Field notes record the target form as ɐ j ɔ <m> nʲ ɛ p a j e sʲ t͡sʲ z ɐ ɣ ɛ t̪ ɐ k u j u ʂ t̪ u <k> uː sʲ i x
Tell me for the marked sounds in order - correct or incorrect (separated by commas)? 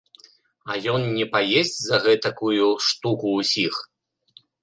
incorrect, correct